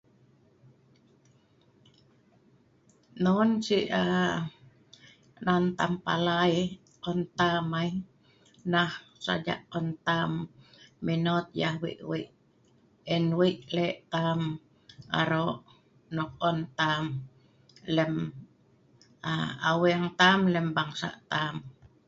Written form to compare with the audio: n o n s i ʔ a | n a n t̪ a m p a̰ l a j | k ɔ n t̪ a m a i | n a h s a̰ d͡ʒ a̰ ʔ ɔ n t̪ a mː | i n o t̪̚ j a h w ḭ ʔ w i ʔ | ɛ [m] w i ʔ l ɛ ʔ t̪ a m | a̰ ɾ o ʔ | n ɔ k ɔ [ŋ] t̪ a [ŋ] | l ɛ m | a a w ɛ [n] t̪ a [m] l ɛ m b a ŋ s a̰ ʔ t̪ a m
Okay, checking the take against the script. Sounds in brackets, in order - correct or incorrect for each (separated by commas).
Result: incorrect, incorrect, incorrect, incorrect, correct